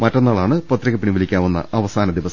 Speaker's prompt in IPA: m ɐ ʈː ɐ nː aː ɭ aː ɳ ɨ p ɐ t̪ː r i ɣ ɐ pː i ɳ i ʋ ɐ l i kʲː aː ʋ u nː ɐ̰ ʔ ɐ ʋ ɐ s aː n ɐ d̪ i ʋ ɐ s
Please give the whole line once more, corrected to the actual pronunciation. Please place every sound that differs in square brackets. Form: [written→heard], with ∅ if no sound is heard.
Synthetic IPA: m ɐ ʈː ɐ nː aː ɭ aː ɳ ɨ p ɐ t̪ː r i ɣ ɐ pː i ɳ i ʋ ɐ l i kʲː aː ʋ u nː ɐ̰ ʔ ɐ ʋ ɐ s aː n ɐ d̪ i ʋ ɐ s

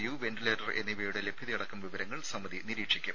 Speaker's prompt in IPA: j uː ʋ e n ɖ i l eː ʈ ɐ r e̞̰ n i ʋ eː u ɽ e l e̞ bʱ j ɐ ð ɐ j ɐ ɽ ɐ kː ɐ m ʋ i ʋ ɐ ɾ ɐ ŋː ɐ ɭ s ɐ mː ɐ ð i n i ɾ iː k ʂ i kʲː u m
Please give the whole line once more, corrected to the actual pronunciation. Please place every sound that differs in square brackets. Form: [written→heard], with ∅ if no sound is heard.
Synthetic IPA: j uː ʋ e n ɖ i l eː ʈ ɐ r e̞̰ [n→nː] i ʋ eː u ɽ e l e̞ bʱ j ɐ ð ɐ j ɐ ɽ ɐ kː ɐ m ʋ i ʋ ɐ ɾ ɐ ŋː ɐ ɭ s ɐ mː ɐ ð i n i ɾ iː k ʂ i kʲː u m

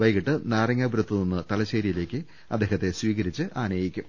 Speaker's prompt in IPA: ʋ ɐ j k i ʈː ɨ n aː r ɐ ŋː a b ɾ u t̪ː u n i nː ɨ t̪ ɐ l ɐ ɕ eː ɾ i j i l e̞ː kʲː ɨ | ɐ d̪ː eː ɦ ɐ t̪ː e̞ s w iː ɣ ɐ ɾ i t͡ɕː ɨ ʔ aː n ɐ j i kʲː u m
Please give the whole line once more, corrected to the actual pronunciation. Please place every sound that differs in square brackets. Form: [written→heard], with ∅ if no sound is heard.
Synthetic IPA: ʋ ɐ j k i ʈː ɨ n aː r ɐ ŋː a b ɾ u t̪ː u n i nː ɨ t̪ ɐ l ɐ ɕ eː ɾ i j i l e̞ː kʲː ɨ | ɐ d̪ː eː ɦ ɐ t̪ː e̞ s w iː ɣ ɐ ɾ i t͡ɕː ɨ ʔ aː n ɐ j i kʲː u m

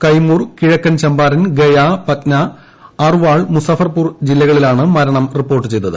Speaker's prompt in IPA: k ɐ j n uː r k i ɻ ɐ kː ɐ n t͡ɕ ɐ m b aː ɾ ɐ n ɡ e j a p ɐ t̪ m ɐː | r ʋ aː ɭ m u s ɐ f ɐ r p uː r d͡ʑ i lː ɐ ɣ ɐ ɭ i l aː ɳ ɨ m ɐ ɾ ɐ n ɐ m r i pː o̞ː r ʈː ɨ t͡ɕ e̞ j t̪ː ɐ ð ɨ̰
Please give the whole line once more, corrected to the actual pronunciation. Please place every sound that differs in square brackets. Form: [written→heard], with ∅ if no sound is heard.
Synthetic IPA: k ɐ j [n→m] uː r k i ɻ ɐ kː ɐ n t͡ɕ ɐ m b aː ɾ ɐ n ɡ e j a p ɐ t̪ [m→n] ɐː | r ʋ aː ɭ m u s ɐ f ɐ r p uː r d͡ʑ i lː ɐ ɣ ɐ ɭ i l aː ɳ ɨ m ɐ ɾ ɐ [n→ɳ] ɐ m r i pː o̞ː r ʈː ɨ t͡ɕ e̞ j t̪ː ɐ ð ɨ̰

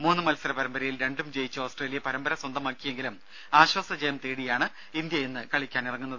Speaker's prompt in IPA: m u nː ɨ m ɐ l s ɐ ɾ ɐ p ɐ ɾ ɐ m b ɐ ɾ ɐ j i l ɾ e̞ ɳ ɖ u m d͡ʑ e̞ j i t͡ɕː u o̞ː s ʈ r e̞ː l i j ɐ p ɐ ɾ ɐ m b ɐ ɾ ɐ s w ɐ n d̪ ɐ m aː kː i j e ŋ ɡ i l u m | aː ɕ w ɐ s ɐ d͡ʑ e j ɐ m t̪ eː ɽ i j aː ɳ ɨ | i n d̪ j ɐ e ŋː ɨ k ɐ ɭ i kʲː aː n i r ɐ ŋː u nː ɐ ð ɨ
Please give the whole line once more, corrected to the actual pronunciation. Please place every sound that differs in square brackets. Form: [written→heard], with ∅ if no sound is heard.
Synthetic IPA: m [u→uː] nː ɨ m ɐ l s ɐ ɾ ɐ p ɐ ɾ ɐ m b ɐ ɾ ɐ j i l ɾ e̞ ɳ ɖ u m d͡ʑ e̞ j i t͡ɕː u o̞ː s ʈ r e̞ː l i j ɐ p ɐ ɾ ɐ m b ɐ ɾ ɐ s w ɐ n d̪ ɐ m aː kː i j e ŋ ɡ i l u m | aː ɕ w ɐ s ɐ d͡ʑ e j ɐ m t̪ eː ɽ i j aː ɳ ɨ | i n d̪ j ɐ e [ŋː→nː] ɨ k ɐ ɭ i kʲː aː n i r ɐ ŋː u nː ɐ ð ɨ

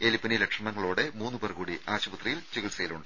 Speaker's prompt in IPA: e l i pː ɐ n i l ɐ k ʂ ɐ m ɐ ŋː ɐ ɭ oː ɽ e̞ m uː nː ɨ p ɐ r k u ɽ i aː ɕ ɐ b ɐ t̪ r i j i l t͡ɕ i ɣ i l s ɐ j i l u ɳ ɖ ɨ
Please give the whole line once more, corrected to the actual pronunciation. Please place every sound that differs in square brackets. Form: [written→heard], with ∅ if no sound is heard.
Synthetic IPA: e l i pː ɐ n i l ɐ k ʂ ɐ m ɐ ŋː ɐ ɭ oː ɽ e̞ m uː nː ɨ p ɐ r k [u→uː] ɽ i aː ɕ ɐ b ɐ t̪ r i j i l t͡ɕ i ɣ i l s ɐ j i l u ɳ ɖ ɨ

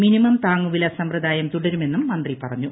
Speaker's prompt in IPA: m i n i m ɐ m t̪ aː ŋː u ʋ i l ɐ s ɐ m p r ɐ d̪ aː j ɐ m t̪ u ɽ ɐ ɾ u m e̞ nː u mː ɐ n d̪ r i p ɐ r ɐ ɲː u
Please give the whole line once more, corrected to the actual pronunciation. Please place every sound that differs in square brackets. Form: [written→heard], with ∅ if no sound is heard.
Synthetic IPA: m i n i m ɐ m t̪ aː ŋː u ʋ i l ɐ s ɐ m p r ɐ d̪ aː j ɐ m t̪ u ɽ ɐ ɾ u m e̞ nː u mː ɐ n d̪ r i p ɐ r ɐ ɲː u

